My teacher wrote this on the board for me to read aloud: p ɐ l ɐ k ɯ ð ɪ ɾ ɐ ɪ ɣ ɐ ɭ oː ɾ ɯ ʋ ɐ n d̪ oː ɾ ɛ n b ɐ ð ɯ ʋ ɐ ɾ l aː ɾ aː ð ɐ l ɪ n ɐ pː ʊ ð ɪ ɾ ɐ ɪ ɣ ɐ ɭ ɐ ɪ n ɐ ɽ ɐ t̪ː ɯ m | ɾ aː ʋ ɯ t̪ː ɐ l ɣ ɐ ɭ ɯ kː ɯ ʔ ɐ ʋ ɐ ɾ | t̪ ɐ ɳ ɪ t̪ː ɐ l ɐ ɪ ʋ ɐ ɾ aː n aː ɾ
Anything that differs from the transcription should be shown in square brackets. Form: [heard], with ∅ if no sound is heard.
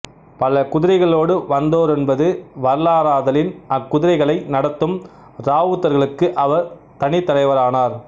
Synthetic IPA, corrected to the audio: p ɐ l ɐ k [ʊ] ð ɪ ɾ ɐ ɪ ɣ ɐ ɭ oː [ɽ] ɯ ʋ ɐ n d̪ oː ɾ ɛ n b ɐ ð ɯ ʋ ɐ ɾ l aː ɾ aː ð ɐ l ɪ n ɐ [kː] ʊ ð ɪ ɾ ɐ ɪ ɣ ɐ ɭ ɐ ɪ n ɐ ɽ ɐ t̪ː ɯ m | ɾ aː ʋ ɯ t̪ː ɐ [ɾ] ɣ ɐ ɭ ɯ kː ɯ ʔ ɐ ʋ ɐ ɾ | t̪ ɐ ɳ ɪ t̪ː ɐ l ɐ ɪ ʋ ɐ ɾ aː n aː ɾ